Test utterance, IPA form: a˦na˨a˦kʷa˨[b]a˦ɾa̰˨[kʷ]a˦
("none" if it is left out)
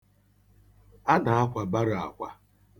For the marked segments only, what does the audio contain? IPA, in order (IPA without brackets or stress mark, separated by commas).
b, kʷ